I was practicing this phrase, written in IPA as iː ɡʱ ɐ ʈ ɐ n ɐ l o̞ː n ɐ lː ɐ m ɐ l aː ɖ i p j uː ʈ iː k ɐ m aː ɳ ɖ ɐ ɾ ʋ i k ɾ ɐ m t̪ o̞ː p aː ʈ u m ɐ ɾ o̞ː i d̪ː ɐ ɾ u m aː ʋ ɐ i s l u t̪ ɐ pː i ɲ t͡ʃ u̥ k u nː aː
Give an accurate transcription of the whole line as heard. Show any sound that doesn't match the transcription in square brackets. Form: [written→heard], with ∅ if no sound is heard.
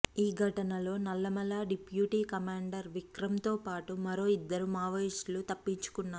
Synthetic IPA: iː ɡʱ ɐ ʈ ɐ n ɐ l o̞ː n ɐ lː ɐ m ɐ l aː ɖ i p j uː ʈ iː k ɐ m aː ɳ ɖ ɐ ɾ ʋ i k ɾ ɐ m t̪ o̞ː p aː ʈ u m ɐ ɾ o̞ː i d̪ː ɐ ɾ u m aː ʋ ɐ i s l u t̪ ɐ pː i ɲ t͡ʃ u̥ k u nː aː